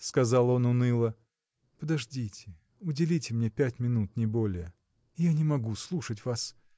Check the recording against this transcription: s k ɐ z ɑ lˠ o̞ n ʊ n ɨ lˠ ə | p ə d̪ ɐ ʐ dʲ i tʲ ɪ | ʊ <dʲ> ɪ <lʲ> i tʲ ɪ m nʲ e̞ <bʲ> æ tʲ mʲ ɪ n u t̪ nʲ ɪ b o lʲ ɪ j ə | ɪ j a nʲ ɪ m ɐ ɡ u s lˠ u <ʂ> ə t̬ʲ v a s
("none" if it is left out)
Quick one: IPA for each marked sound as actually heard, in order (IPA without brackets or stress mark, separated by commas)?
dʲ, lʲ, pʲ, ʂ